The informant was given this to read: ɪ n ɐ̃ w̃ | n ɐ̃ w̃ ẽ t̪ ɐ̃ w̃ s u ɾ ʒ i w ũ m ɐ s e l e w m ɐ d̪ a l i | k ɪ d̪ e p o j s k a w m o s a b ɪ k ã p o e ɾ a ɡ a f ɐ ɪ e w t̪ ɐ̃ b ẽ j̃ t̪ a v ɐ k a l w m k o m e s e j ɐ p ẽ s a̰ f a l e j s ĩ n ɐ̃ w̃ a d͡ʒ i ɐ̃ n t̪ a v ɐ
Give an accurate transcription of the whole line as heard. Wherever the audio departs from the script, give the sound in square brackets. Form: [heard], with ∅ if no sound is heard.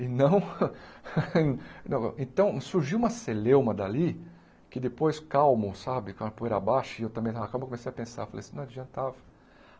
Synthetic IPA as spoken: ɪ n ɐ̃ w̃ | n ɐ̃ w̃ ẽ t̪ ɐ̃ w̃ s u ɾ ʒ i w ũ m ɐ s e l e w m ɐ d̪ a l i | k ɪ d̪ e p o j s k a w m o s a b ɪ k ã p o e ɾ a [b] a [ʃ] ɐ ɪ e w t̪ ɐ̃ b ẽ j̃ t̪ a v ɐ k a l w m k o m e s e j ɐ p ẽ s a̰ f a l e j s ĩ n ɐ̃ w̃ a d͡ʒ i ɐ̃ n t̪ a v ɐ

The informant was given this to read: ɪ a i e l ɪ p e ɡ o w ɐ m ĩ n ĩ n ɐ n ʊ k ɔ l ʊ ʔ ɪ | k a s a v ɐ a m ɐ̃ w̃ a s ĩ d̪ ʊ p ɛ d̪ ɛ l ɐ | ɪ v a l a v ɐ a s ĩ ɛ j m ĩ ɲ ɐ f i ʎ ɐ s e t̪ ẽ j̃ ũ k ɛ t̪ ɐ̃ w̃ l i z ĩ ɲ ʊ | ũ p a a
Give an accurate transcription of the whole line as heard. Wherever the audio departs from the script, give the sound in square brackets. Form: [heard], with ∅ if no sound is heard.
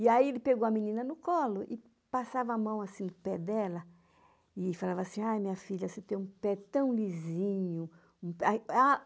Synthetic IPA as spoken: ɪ a i e l ɪ p e ɡ o w ɐ m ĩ n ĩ n ɐ n ʊ k ɔ l ʊ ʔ ɪ | [p] a s a v ɐ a m ɐ̃ w̃ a s ĩ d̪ ʊ p ɛ d̪ ɛ l ɐ | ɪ [f] a l a v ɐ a s ĩ [a] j m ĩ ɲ ɐ f i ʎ ɐ s e t̪ ẽ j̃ ũ [p] ɛ t̪ ɐ̃ w̃ l i z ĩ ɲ ʊ | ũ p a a

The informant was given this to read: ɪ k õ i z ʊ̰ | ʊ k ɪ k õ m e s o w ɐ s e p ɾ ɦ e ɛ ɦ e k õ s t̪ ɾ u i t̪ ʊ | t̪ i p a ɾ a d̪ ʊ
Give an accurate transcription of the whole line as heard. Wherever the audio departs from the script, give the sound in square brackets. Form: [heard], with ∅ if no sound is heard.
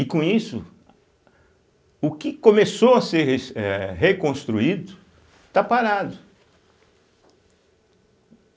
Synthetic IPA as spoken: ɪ k õ i [s] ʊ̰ | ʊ k ɪ k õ m e s o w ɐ s e [∅] ɾ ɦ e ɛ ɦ e k õ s t̪ ɾ u i [d̪] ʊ | t̪ [a] p a ɾ a d̪ ʊ

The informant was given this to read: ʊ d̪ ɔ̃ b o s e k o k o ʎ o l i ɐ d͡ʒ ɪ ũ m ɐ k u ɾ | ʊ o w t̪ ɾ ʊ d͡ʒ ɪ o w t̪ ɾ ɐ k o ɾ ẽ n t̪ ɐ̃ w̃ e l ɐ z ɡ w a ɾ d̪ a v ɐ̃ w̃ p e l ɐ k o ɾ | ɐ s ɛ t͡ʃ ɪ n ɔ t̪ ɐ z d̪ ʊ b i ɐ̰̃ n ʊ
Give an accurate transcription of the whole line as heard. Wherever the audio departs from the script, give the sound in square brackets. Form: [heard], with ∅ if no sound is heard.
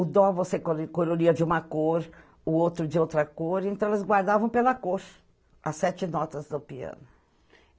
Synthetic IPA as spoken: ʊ d̪ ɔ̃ [v] o s e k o k o [ɾ] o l i ɐ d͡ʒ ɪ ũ m ɐ k [o] ɾ | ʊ o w t̪ ɾ ʊ d͡ʒ ɪ o w t̪ ɾ ɐ k o ɾ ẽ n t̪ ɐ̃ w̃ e l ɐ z ɡ w a ɾ d̪ a v ɐ̃ w̃ p e l ɐ k o ɾ | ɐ s ɛ t͡ʃ ɪ n ɔ t̪ ɐ z d̪ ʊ [p] i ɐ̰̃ n ʊ

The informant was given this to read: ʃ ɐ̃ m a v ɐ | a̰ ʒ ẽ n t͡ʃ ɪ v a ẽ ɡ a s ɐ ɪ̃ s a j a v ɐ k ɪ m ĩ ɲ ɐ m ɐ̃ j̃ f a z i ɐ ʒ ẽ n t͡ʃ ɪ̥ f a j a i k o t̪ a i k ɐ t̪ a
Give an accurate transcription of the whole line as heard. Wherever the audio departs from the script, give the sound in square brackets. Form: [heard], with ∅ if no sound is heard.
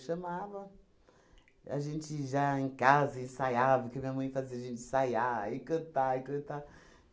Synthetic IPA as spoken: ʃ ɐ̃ m a v ɐ | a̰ ʒ ẽ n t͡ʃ ɪ [ʒ] a ẽ [k] a [z] ɐ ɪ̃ s a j a v ɐ k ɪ m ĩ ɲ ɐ m ɐ̃ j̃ f a z i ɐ ʒ ẽ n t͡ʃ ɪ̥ [s] a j a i k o t̪ a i k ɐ t̪ a

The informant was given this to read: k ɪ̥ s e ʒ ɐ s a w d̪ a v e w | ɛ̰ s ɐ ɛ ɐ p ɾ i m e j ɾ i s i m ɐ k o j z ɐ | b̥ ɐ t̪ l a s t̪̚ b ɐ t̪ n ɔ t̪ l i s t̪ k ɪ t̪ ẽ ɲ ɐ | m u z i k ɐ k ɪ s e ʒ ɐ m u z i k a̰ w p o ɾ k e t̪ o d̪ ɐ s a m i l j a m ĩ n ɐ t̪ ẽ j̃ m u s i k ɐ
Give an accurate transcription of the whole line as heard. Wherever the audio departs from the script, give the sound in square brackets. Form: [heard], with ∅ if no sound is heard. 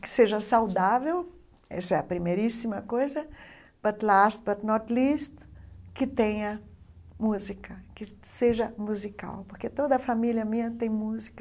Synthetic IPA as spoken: k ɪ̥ s e ʒ ɐ s a w d̪ a v e w | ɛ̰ s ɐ ɛ ɐ p ɾ i m e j ɾ i s i m ɐ k o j z ɐ | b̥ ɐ t̪ l a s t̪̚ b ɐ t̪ n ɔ t̪ l i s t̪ k ɪ t̪ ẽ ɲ ɐ | m u z i k ɐ k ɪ s e ʒ ɐ m u z i k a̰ w p o ɾ k e t̪ o d̪ ɐ [f] a m i l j [ɐ] m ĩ [ɲ] ɐ t̪ ẽ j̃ m u [z] i k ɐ

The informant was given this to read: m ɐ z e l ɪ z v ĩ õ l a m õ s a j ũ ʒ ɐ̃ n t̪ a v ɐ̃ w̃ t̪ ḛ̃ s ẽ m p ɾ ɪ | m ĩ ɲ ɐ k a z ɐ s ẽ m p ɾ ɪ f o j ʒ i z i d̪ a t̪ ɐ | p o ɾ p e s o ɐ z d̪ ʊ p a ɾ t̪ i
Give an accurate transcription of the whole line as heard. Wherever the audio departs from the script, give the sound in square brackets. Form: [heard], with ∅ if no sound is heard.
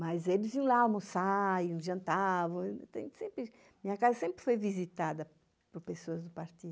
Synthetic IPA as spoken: m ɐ z e l ɪ z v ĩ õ l a m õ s a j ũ ʒ ɐ̃ n t̪ a v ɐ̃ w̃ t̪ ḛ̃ s ẽ m p ɾ ɪ | m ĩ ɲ ɐ k a z ɐ s ẽ m p ɾ ɪ f o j [v] i z i [t̪] a [d̪] ɐ | p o ɾ p e s o ɐ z d̪ ʊ p a ɾ t̪ i

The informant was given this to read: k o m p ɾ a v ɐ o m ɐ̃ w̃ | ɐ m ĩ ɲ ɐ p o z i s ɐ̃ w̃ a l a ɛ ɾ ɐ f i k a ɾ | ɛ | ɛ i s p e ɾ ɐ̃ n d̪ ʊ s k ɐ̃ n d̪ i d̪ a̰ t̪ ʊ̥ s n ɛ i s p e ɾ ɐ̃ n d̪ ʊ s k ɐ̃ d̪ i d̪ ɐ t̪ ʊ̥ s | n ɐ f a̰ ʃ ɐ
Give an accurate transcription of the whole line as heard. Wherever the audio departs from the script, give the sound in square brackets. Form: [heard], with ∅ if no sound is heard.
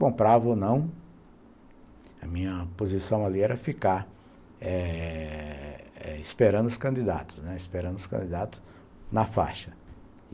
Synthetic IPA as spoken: k [õ] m p ɾ a v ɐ o [n] ɐ̃ w̃ | ɐ m ĩ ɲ ɐ p o z i s ɐ̃ w̃ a l [i] ɛ ɾ ɐ f i k a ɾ | ɛ | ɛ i s p e ɾ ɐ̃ n d̪ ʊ s k ɐ̃ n d̪ i d̪ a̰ t̪ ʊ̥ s n ɛ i s p e ɾ ɐ̃ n d̪ ʊ s k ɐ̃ d̪ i d̪ [a] t̪ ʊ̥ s | n ɐ f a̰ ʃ ɐ

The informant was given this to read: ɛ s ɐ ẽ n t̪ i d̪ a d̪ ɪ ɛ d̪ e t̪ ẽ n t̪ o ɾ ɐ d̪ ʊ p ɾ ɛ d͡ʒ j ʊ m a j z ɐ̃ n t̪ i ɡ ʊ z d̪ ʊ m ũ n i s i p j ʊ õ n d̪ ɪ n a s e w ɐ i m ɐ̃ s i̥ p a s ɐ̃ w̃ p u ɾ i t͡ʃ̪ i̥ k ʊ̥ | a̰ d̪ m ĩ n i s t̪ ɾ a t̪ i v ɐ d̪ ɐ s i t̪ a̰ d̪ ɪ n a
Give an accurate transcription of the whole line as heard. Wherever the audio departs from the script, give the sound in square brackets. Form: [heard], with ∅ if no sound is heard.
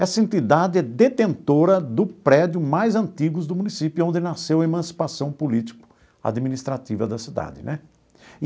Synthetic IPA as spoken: ɛ s ɐ ẽ n t̪ i d̪ a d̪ ɪ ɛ d̪ e t̪ ẽ n t̪ o ɾ ɐ d̪ ʊ p ɾ ɛ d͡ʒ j ʊ m a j z ɐ̃ n t̪ i ɡ ʊ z d̪ ʊ m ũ n i s i p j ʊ õ n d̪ ɪ n a s e w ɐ [e] m ɐ̃ s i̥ p a s ɐ̃ w̃ p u [l] i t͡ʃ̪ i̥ k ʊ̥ | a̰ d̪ m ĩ n i s t̪ ɾ a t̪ i v ɐ d̪ ɐ s i [d̪] a̰ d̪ ɪ n [ɛ]

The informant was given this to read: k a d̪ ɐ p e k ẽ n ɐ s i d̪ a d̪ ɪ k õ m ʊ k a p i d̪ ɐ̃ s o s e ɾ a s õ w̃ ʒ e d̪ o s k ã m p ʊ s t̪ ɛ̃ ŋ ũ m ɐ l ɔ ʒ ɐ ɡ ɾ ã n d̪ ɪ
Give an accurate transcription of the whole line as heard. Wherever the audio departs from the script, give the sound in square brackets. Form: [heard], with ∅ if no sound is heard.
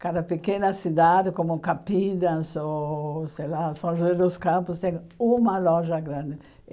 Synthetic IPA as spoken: k a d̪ ɐ p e k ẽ n ɐ s i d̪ a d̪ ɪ k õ m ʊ k a p i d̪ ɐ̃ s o s e [l] a s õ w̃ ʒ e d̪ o s k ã m p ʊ s t̪ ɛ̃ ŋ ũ m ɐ l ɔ ʒ ɐ ɡ ɾ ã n d̪ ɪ

